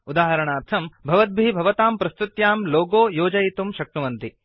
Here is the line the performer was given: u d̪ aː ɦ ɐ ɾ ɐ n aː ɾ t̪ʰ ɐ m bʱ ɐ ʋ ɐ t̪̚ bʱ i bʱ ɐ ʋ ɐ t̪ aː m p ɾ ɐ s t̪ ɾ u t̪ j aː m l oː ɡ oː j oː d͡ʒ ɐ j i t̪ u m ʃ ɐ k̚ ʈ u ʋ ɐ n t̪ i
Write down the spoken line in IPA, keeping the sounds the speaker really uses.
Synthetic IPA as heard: u d̪ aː ɦ ɐ ɾ ɐ ɳ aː ɾ t̪ʰ ɐ m bʱ ɐ ʋ ɐ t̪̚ bʱ i bʱ ɐ ʋ ɐ t̪ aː m p ɾ ɐ s t̪ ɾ u t̪ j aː m l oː ɡ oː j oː d͡ʒ ɐ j i t̪ u m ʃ ɐ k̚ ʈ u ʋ ɐ n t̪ i